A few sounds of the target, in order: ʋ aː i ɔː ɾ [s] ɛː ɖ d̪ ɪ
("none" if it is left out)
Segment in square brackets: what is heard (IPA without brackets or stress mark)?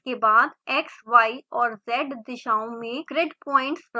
z